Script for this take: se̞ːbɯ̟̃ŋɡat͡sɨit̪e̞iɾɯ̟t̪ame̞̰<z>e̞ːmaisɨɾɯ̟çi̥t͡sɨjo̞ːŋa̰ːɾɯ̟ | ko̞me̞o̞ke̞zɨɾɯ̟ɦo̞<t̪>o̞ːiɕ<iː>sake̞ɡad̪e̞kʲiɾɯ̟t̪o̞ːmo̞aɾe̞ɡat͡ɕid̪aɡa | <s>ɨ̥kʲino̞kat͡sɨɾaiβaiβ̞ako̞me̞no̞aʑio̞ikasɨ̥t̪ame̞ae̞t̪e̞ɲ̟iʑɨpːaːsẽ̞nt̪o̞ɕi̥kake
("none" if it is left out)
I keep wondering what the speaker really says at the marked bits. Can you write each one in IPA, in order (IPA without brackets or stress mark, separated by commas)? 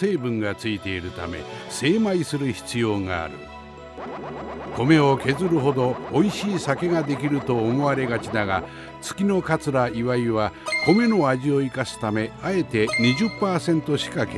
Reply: s, d̪, iː, t͡s